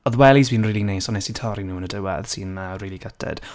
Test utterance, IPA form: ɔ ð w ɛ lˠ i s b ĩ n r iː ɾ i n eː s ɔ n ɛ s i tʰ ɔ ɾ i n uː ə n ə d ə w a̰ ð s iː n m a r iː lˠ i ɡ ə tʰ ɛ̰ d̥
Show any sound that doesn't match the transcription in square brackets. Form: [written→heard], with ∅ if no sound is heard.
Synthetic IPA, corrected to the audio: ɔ ð w ɛ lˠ i [s→z] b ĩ n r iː [ɾ→l] i n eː s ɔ n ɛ s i tʰ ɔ ɾ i n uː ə n ə d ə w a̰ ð s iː n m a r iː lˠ i ɡ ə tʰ ɛ̰ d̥